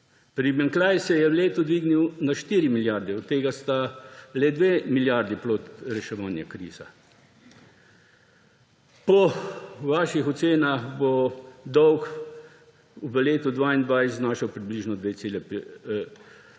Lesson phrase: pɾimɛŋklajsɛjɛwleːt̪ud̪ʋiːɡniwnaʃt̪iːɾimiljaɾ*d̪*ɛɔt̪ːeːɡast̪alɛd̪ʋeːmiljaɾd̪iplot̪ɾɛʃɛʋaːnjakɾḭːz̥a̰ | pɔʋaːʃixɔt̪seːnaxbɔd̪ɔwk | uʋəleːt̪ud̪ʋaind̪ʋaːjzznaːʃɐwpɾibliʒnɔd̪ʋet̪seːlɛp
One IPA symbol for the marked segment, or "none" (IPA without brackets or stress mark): d̪